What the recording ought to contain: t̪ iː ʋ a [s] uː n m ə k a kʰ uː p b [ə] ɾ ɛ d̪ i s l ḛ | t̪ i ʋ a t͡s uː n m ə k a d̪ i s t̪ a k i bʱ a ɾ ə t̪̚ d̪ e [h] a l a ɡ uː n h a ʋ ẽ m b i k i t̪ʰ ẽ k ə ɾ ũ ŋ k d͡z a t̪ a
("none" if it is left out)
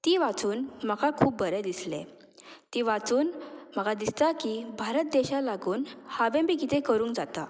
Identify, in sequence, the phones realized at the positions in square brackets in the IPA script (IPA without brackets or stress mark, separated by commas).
t͡s, ə, ɕ